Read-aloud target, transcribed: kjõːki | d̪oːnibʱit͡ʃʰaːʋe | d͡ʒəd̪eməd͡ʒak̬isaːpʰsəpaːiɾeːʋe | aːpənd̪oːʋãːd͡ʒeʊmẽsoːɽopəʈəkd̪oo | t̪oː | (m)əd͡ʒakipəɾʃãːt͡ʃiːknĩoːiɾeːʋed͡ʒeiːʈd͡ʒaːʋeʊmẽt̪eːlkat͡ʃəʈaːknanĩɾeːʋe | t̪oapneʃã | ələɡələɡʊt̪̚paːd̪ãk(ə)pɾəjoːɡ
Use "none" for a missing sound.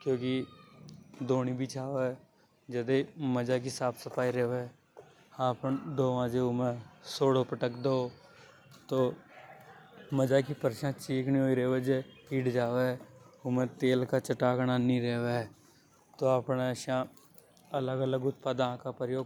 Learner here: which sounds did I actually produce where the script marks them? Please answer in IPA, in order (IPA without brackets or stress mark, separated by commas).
m, a